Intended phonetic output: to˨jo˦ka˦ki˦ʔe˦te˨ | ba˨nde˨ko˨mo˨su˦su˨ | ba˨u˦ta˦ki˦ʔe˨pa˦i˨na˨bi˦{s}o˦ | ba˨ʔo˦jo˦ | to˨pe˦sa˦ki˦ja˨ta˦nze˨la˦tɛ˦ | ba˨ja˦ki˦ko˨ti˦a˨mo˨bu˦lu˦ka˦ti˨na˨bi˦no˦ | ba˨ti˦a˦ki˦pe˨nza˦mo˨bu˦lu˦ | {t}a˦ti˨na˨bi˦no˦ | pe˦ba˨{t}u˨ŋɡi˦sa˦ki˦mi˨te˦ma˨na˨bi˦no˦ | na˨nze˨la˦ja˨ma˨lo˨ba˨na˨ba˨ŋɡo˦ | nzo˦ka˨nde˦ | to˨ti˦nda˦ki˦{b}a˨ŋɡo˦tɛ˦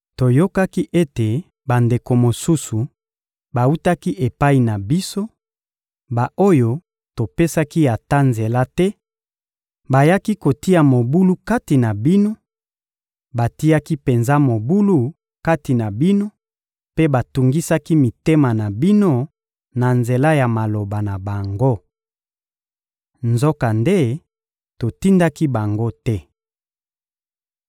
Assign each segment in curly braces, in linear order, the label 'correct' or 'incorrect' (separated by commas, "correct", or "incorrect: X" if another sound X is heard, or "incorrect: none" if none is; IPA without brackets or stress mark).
correct, incorrect: k, correct, correct